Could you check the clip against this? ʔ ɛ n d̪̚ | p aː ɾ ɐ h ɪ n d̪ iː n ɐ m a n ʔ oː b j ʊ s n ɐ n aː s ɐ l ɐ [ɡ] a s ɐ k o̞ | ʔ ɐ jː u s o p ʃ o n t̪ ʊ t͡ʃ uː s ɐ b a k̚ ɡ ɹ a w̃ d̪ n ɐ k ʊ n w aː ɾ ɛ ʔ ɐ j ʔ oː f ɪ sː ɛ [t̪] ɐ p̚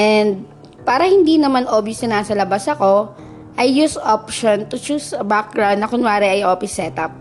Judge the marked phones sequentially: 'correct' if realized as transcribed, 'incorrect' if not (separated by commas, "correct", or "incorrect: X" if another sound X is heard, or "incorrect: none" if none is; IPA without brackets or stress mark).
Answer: incorrect: b, correct